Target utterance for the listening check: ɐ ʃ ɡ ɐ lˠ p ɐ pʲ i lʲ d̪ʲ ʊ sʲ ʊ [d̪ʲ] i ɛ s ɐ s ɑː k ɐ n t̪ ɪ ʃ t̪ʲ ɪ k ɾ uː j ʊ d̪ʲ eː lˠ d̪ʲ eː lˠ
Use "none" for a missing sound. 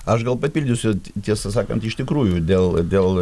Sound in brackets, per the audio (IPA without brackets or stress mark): t̪ʲ